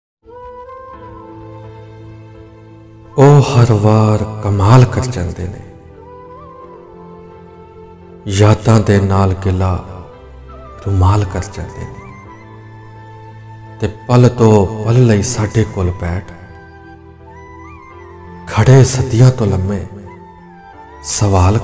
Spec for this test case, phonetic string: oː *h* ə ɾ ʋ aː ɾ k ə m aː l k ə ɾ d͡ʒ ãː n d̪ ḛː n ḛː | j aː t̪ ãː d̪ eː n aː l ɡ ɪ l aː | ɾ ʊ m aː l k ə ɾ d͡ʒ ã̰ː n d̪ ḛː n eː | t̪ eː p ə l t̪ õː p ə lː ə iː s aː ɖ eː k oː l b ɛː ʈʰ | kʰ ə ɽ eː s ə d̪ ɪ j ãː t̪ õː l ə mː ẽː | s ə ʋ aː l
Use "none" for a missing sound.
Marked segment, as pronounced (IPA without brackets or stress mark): h